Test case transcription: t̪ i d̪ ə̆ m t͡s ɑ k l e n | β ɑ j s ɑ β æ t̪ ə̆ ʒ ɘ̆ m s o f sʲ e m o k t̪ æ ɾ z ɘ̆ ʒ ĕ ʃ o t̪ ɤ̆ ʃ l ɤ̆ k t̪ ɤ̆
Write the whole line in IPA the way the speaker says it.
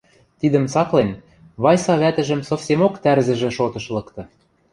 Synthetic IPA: t̪ i d̪ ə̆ m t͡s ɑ k l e n | β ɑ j s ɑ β æ t̪ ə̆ ʒ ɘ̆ m s o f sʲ e m o k t̪ æ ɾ z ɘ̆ ʒ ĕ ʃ o t̪ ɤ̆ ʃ l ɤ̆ k t̪ ɤ̆